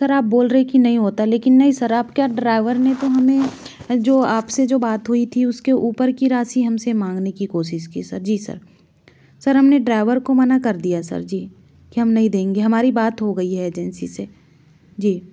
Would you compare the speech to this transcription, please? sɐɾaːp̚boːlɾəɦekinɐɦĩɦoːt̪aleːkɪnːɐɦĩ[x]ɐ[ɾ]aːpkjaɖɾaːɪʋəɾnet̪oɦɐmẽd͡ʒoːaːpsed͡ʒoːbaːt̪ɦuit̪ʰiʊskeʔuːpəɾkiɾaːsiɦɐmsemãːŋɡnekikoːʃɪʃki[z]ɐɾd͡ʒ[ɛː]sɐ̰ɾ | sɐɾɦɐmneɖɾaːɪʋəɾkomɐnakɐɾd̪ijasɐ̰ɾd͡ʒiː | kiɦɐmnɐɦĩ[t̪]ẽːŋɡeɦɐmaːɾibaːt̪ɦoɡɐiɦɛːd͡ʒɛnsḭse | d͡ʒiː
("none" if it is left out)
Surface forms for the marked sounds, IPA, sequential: s, ɾ, s, iː, d̪

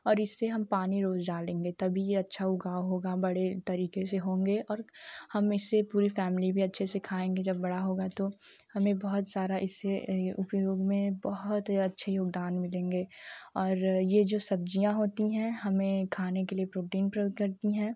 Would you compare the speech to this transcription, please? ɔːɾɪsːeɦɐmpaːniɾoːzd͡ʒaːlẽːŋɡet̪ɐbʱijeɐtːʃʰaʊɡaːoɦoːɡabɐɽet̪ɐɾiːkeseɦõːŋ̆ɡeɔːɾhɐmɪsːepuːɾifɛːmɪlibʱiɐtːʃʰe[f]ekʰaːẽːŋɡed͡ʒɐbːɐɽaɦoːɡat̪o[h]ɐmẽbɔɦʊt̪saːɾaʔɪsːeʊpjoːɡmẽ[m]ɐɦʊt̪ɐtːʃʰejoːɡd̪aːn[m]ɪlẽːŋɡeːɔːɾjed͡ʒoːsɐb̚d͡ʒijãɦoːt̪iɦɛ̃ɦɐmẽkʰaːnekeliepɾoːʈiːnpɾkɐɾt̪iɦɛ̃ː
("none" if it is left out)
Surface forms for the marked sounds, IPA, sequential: s, h, b, m

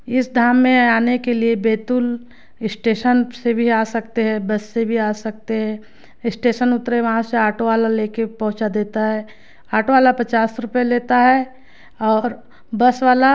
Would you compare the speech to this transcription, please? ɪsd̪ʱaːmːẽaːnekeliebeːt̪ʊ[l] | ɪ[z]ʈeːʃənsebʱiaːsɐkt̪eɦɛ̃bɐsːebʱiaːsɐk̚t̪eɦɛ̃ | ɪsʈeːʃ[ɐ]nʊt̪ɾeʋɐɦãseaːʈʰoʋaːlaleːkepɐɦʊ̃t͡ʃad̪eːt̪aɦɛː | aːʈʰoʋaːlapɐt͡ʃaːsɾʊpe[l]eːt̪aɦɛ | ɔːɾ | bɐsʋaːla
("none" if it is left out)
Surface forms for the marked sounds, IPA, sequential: l, s, ə, l

